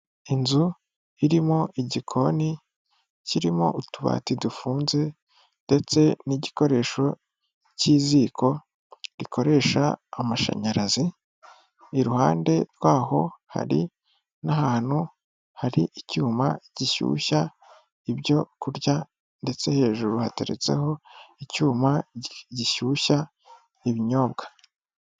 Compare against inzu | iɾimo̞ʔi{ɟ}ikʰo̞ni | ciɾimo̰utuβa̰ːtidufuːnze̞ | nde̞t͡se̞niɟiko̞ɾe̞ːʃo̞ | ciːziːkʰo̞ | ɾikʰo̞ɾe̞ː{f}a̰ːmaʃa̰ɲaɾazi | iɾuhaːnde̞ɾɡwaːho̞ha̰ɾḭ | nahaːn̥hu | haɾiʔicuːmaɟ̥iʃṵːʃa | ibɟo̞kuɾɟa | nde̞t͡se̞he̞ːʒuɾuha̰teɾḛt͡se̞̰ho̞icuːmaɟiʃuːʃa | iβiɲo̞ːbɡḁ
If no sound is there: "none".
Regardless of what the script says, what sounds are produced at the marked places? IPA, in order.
ɟ, ʃ

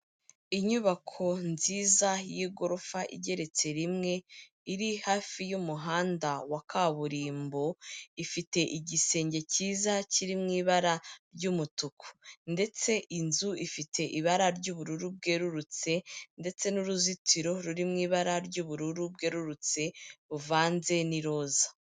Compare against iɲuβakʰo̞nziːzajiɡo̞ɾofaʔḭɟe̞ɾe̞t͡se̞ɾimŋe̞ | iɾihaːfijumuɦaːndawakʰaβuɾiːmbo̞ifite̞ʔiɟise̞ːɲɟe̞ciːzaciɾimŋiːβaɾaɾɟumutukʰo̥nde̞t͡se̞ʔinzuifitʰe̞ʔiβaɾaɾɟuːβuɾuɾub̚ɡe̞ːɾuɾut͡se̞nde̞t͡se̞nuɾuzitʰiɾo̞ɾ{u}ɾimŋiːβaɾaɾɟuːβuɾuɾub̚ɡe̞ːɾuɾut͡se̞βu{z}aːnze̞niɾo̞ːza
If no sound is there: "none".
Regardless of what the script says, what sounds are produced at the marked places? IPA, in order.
u, v

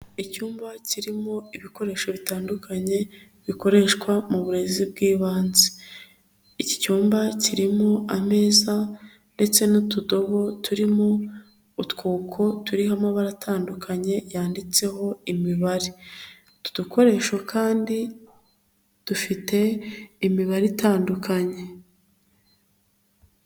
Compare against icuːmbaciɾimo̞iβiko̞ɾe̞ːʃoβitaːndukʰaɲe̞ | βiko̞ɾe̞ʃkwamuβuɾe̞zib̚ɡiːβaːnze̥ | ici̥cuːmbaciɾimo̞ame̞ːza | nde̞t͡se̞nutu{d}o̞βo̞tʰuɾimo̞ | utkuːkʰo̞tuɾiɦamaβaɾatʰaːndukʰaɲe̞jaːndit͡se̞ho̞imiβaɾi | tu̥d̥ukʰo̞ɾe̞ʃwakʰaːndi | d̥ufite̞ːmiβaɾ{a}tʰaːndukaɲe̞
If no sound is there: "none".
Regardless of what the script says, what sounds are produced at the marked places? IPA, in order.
d, i

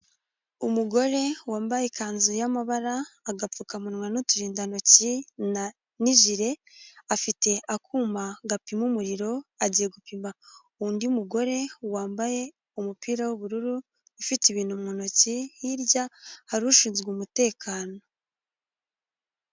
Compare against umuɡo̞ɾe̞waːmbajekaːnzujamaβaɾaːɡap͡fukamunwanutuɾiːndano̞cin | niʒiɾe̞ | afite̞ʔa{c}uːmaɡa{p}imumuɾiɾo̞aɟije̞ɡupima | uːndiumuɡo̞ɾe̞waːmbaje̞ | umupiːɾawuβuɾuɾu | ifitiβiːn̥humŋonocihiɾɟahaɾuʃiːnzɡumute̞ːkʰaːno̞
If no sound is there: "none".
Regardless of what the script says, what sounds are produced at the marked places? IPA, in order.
k, p

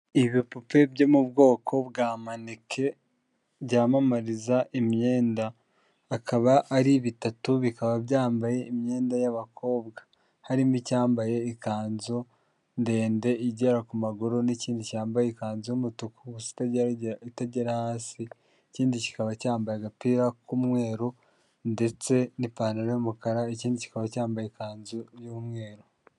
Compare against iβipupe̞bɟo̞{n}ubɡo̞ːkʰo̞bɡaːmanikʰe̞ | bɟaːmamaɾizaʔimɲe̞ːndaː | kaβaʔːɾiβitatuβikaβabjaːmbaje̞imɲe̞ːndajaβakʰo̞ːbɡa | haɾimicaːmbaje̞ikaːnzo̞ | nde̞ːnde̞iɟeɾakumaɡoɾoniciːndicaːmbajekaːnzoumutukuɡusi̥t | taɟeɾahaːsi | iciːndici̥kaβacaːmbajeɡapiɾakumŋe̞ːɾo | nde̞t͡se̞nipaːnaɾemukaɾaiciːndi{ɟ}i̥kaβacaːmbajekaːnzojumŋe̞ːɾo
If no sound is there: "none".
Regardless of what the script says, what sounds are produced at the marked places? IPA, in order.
m, c

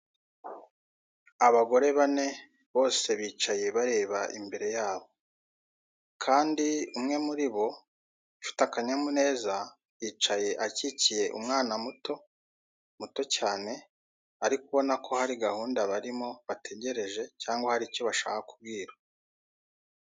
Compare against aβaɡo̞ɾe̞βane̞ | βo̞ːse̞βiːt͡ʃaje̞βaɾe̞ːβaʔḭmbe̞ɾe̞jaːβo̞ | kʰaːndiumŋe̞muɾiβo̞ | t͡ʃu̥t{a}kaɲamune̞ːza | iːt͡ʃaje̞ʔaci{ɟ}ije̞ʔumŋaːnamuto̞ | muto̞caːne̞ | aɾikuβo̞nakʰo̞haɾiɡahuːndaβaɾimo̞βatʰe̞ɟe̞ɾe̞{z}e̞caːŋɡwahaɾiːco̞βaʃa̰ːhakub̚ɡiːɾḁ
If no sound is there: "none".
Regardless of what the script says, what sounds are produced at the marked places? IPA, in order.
a, c, ʒ

